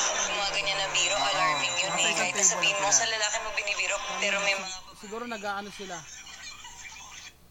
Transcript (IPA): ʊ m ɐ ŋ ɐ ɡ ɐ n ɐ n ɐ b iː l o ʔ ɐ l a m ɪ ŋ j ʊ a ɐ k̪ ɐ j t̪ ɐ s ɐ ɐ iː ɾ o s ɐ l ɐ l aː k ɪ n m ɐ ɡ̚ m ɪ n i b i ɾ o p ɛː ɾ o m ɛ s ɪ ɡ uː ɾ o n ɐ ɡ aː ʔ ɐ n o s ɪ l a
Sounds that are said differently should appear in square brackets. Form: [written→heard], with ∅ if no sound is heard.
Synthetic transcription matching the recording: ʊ m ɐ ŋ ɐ ɡ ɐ [n→ɲ] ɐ n ɐ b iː [l→ɾ] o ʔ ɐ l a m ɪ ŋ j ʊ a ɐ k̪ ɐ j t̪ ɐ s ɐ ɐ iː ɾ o s ɐ l ɐ l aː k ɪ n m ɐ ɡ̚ [m→b] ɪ n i b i ɾ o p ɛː ɾ o m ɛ s ɪ ɡ uː ɾ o n ɐ ɡ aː ʔ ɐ n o s ɪ l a